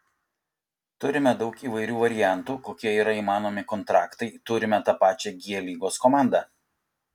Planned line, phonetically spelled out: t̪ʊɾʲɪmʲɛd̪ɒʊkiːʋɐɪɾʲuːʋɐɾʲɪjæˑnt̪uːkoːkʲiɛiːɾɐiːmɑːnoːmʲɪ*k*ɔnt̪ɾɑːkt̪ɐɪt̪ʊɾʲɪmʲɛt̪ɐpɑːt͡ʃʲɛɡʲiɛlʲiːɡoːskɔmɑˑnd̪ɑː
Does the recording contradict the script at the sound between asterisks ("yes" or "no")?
no